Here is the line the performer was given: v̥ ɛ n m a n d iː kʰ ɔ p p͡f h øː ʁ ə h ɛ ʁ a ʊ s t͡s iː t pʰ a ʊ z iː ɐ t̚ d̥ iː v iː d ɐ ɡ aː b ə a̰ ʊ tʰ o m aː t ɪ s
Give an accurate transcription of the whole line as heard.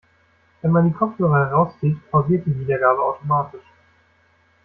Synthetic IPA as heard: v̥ ɛ n m a n d iː kʰ ɔ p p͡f h øː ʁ ə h ɛ ʁ a ʊ s t͡s iː t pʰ a ʊ z iː ɐ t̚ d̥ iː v iː d ɐ ɡ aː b ə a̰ ʊ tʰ o m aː t ɪ ʃ